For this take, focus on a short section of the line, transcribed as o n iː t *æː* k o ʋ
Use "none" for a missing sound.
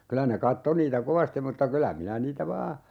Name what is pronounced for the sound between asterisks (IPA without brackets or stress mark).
æ